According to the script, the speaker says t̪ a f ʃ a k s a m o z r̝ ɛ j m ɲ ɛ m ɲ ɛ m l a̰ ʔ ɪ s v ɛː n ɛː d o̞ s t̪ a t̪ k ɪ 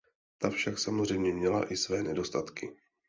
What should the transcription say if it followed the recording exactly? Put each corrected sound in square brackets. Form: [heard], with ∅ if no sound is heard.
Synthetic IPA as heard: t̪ a f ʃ a k s a m o z r̝ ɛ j m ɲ ɛ m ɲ ɛ [∅] l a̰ ʔ ɪ s v ɛː n [ɛ] d o̞ s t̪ a t̪ k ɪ

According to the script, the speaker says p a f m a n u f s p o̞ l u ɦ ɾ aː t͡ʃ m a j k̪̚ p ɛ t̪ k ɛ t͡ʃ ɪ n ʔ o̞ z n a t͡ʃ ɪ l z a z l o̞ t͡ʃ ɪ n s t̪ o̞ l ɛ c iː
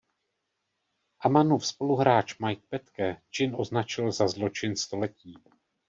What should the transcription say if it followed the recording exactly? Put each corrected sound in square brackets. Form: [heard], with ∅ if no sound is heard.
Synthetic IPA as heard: [ʔ] a [∅] m a n u f s p o̞ l u ɦ ɾ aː t͡ʃ m a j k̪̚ p ɛ t̪ k ɛ t͡ʃ ɪ n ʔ o̞ z n a t͡ʃ ɪ l z a z l o̞ t͡ʃ ɪ n s t̪ o̞ l ɛ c iː

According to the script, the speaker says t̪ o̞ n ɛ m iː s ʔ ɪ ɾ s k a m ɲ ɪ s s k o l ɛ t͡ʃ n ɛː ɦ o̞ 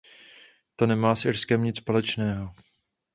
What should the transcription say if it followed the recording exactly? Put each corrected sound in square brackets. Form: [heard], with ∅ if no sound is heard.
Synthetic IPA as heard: t̪ o̞ n ɛ m [aː] s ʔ ɪ ɾ s k [ɛ] m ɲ ɪ [t͡s] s [p] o l ɛ t͡ʃ n ɛː ɦ o̞

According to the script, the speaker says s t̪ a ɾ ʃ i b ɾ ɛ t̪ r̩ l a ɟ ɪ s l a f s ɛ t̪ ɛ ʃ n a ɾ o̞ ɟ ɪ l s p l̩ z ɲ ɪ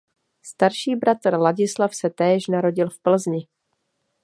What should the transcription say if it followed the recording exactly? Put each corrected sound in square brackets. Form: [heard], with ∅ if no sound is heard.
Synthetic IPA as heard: s t̪ a ɾ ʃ [iː] b ɾ [a] t̪ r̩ l a ɟ ɪ s l a f s ɛ t̪ [ɛː] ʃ n a ɾ o̞ ɟ ɪ l [f] p l̩ z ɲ ɪ

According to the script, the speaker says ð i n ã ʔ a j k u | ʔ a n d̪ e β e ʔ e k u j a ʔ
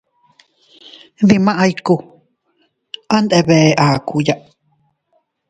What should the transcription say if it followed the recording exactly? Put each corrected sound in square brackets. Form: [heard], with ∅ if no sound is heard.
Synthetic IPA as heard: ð i [m] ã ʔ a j k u | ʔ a n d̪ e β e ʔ [a] k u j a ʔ

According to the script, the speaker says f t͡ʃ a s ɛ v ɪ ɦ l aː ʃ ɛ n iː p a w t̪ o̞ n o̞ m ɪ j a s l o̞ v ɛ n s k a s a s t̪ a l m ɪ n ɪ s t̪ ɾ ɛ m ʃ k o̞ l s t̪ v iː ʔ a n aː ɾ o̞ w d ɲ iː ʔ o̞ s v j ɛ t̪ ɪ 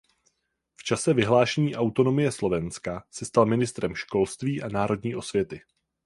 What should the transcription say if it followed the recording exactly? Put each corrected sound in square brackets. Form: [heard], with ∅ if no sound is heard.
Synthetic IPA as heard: f t͡ʃ a s ɛ v ɪ ɦ l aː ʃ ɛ [ɲ] iː [ʔ] a w t̪ o̞ n o̞ m ɪ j [ɛ] s l o̞ v ɛ n s k a s [ɛ] s t̪ a l m ɪ n ɪ s t̪ ɾ ɛ m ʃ k o̞ l s t̪ v iː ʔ a n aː ɾ o̞ [∅] d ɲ iː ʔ o̞ s v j ɛ t̪ ɪ

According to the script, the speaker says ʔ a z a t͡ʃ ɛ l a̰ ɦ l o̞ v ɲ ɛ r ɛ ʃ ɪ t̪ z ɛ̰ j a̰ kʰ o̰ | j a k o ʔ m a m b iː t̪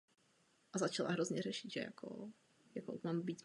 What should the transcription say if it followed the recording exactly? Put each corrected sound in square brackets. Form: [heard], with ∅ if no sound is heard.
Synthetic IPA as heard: ʔ a z a t͡ʃ [a] l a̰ ɦ [ɾ] o̞ [z] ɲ ɛ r ɛ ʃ ɪ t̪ [ʒ] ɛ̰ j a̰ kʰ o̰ | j a k o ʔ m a m b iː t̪

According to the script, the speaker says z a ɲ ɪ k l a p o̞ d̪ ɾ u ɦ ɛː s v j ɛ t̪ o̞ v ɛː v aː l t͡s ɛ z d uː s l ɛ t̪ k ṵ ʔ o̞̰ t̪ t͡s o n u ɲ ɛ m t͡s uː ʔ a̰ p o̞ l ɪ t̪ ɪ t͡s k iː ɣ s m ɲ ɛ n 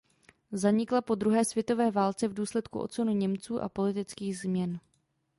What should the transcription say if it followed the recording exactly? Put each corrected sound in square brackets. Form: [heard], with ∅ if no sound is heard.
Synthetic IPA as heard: z a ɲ ɪ k l a p o̞ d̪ ɾ u ɦ ɛː s v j ɛ t̪ o̞ v ɛː v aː l t͡s ɛ [v] d uː s l ɛ t̪ k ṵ ʔ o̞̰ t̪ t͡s o n u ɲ ɛ m t͡s uː ʔ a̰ p o̞ l ɪ t̪ ɪ t͡s k iː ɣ [z] m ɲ ɛ n

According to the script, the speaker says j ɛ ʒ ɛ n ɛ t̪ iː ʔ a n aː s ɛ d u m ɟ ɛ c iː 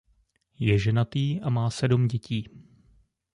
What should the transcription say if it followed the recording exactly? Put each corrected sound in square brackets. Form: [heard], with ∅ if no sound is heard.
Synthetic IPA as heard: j ɛ ʒ ɛ n [a] t̪ iː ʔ a [m] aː s ɛ d u m ɟ ɛ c iː

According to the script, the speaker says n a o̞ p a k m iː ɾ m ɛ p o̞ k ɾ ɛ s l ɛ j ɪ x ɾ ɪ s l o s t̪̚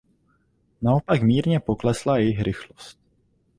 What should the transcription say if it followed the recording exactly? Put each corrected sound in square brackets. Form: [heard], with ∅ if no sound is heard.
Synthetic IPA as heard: n a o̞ p a k m iː ɾ [ɲ] ɛ p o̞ k [l] ɛ s l [a] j ɪ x ɾ ɪ [x] l o s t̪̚

